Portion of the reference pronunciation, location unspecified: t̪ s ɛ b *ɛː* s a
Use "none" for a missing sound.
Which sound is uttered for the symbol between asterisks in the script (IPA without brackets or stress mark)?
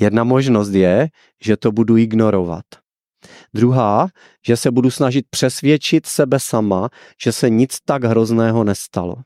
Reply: ɛ